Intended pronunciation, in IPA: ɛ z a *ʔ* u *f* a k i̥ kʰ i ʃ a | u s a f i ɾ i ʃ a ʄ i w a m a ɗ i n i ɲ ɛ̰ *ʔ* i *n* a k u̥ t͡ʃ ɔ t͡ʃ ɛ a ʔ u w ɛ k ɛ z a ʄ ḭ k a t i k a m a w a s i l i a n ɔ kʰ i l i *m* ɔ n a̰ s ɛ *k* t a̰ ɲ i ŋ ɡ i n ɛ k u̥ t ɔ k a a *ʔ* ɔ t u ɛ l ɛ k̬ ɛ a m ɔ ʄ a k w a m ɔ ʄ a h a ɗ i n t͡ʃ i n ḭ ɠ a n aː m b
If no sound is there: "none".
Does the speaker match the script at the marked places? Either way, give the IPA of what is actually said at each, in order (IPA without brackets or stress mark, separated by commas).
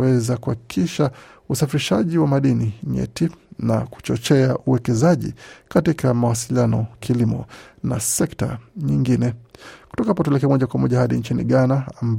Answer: k, h, t, n, m, k, p